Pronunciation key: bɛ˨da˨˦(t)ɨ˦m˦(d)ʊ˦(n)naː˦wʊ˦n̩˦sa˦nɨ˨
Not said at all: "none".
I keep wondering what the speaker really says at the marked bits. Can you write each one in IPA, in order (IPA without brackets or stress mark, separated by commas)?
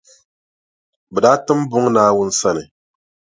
t, b, ŋ